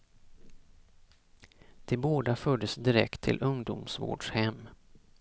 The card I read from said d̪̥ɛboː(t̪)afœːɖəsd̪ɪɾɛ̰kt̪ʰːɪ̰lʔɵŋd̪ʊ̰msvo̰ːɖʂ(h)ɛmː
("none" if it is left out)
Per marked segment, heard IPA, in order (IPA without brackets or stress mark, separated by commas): d̪, h